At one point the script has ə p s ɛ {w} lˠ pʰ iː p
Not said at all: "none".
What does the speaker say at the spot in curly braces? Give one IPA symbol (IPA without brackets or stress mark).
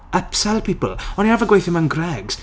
none